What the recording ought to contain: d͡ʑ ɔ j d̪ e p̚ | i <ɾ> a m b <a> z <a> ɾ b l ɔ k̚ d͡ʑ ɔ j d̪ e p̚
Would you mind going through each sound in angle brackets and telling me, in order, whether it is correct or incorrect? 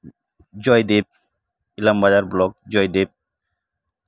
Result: incorrect: l, correct, correct

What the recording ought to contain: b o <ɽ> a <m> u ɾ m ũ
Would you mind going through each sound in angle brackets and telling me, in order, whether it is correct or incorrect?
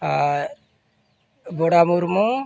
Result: correct, correct

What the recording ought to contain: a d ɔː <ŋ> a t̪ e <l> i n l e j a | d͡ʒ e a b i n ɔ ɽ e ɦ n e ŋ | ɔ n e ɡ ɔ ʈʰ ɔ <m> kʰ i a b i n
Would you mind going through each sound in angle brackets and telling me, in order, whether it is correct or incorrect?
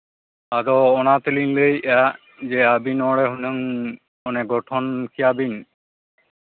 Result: incorrect: n, correct, incorrect: n

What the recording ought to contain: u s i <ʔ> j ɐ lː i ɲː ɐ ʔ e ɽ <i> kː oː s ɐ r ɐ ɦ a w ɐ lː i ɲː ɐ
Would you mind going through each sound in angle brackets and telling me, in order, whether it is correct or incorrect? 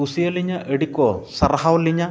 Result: incorrect: none, correct

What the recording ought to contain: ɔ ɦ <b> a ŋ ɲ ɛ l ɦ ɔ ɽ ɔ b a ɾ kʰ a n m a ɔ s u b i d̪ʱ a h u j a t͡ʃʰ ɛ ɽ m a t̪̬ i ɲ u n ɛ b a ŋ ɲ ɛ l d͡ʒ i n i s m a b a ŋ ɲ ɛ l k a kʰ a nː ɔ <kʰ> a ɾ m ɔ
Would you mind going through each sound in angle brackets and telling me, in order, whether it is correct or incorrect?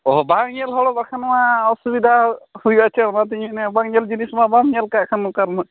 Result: correct, incorrect: k

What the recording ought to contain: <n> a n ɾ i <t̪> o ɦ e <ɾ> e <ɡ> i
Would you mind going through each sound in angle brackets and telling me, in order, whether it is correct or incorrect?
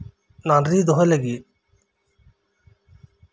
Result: correct, incorrect: d̪, incorrect: l, correct

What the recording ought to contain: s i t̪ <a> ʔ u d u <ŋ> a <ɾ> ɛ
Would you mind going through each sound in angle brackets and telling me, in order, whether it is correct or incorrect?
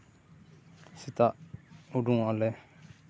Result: correct, correct, incorrect: l

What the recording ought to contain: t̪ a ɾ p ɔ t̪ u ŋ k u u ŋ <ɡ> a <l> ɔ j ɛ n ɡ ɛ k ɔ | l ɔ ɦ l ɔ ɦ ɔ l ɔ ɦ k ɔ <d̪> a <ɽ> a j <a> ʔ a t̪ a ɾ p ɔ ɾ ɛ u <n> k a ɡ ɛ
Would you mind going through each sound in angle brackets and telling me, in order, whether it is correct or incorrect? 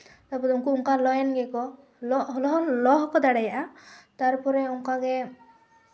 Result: incorrect: k, correct, correct, correct, correct, incorrect: ŋ

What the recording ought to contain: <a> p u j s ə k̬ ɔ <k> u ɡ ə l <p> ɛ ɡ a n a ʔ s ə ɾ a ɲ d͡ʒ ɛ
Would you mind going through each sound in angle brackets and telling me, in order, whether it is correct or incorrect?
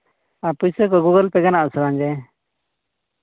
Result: correct, incorrect: ɡ, correct

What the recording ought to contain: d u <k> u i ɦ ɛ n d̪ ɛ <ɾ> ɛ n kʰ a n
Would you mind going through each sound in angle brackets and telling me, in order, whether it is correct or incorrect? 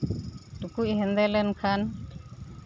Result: correct, incorrect: l

